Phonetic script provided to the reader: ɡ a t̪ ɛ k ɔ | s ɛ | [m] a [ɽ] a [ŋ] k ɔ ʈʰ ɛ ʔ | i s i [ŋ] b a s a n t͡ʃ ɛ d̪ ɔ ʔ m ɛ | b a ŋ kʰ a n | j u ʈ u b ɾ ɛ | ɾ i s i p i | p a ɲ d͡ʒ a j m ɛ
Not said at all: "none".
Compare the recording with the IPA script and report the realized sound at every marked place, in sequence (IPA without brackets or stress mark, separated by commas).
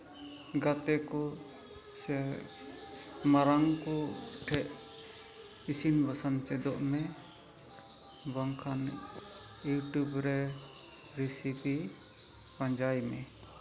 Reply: m, ɾ, ŋ, n